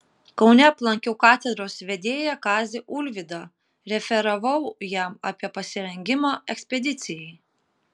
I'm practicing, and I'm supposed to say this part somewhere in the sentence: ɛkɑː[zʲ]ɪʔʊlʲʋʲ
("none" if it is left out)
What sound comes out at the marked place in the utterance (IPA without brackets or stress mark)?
zʲ